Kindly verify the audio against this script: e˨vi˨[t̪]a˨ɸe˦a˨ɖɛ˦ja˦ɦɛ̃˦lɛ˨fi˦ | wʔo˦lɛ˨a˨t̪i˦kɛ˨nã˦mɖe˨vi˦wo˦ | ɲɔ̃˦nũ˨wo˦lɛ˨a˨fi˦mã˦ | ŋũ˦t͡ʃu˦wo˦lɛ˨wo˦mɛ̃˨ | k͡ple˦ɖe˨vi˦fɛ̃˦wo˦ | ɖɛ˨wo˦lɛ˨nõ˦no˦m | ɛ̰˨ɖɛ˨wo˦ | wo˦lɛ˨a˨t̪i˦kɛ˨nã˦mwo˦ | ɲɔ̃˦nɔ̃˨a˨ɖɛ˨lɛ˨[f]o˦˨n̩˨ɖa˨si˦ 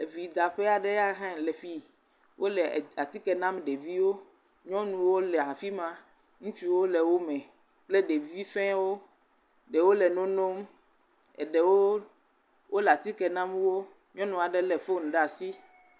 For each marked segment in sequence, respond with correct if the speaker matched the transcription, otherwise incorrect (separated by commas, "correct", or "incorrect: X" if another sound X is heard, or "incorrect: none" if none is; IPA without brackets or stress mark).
incorrect: d̪, correct